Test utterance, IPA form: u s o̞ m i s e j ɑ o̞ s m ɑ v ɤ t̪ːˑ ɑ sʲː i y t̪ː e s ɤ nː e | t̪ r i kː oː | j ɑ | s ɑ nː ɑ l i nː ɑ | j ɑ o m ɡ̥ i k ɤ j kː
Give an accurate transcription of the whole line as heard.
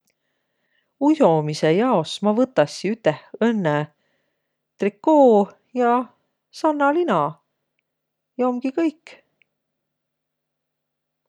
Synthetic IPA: u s o̞ m i s e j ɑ o̞ s m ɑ v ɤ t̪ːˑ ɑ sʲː i y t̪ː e h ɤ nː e | t̪ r i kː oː | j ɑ | s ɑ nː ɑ l i n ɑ | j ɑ o m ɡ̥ i k ɤ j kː